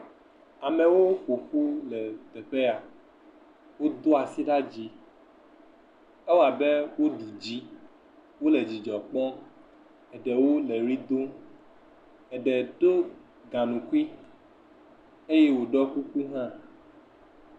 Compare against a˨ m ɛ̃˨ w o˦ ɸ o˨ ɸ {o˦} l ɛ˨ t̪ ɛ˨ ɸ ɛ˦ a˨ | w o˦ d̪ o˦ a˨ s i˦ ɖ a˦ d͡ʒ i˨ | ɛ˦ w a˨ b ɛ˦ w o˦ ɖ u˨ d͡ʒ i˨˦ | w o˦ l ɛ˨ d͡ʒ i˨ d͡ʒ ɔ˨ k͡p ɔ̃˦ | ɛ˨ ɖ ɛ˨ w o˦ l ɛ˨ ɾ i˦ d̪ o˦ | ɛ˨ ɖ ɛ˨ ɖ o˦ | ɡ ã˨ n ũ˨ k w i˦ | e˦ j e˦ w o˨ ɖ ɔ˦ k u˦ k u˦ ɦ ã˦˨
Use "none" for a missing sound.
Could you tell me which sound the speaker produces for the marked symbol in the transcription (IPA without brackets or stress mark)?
u˦